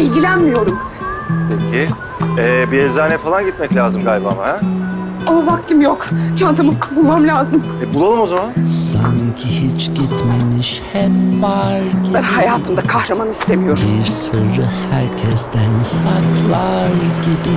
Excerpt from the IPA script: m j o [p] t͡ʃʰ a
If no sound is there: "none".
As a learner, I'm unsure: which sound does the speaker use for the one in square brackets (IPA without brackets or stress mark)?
k